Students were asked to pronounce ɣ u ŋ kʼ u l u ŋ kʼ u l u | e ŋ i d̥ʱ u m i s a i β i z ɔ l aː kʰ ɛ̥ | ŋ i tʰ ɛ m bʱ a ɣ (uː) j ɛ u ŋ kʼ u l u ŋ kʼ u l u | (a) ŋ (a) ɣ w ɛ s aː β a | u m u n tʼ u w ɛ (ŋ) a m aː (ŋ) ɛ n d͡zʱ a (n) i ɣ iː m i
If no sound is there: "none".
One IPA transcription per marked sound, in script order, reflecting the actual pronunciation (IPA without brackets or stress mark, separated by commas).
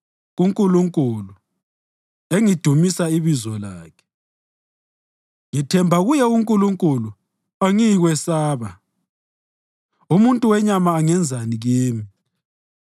u, a, i, ɲ, ŋ, n